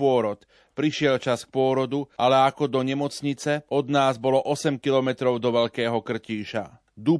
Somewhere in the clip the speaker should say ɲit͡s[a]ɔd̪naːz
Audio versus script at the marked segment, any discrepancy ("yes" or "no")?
yes